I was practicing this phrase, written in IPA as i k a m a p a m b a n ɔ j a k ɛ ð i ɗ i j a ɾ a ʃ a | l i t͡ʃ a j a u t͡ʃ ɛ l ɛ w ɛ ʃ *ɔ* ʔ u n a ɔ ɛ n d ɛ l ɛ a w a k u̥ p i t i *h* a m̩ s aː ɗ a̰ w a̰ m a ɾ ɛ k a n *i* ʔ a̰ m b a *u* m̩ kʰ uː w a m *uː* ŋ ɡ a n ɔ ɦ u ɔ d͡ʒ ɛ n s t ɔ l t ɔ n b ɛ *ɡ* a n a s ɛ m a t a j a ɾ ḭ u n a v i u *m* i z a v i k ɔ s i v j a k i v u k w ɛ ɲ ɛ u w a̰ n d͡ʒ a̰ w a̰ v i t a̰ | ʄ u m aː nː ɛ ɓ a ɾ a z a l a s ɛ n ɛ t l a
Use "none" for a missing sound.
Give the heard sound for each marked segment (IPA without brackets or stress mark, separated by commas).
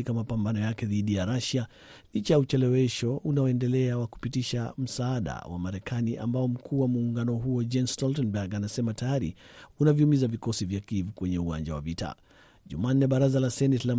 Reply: ɔ, ʃ, i, ɔ, uː, ɡ, m